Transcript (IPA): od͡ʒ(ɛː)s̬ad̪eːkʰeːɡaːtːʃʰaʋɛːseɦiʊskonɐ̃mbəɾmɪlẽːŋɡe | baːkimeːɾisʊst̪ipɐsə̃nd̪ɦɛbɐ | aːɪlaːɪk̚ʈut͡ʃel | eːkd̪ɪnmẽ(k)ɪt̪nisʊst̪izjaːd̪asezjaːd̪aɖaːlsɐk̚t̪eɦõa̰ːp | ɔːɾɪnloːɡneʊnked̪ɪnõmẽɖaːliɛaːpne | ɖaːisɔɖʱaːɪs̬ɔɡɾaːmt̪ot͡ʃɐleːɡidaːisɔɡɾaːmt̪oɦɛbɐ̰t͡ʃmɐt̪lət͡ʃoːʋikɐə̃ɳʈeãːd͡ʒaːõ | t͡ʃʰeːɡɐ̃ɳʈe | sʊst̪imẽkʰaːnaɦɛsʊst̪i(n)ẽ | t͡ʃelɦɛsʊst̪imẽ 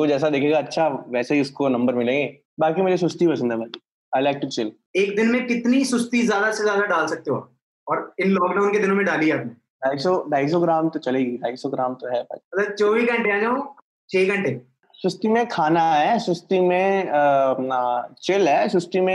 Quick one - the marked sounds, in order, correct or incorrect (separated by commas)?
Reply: correct, correct, incorrect